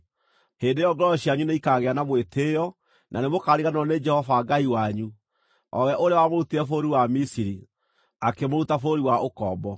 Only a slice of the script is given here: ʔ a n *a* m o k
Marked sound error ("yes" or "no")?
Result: yes